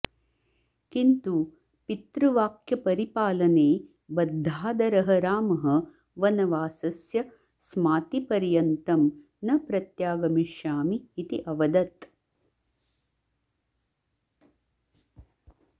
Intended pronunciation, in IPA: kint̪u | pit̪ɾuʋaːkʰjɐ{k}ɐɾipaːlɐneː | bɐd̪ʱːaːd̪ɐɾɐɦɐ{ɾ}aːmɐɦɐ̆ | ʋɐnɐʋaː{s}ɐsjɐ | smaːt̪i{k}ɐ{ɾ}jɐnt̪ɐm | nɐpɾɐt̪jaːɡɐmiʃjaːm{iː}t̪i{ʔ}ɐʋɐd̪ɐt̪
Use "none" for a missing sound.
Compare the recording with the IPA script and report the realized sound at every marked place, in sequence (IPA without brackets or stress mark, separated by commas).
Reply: p, ɾ, s, p, ɾ, iː, ʔ